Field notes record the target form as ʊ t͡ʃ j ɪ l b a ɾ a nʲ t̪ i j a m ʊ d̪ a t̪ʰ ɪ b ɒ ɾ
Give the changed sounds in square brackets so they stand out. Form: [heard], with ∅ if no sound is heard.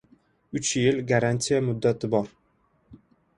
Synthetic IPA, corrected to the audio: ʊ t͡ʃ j ɪ l [ɡ] a ɾ a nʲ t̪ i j a m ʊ [d̪ː] a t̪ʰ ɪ b ɒ ɾ